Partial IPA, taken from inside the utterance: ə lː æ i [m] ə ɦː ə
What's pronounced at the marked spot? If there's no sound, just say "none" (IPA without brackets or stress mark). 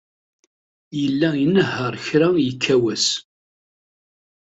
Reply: n